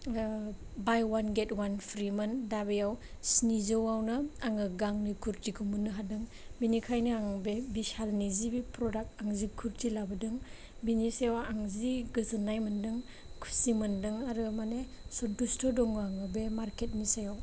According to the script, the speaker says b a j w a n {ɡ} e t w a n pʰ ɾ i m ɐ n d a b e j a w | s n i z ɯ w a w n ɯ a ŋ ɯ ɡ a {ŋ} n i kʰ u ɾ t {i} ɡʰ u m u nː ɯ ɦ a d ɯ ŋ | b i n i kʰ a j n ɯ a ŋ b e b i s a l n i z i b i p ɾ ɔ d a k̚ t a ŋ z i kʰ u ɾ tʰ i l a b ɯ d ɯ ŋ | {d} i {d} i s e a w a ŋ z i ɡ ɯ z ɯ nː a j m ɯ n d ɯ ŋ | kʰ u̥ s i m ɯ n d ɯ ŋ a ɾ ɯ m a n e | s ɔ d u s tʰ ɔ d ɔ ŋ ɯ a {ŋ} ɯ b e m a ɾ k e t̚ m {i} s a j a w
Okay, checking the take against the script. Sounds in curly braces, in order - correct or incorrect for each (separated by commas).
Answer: correct, correct, correct, incorrect, incorrect, correct, correct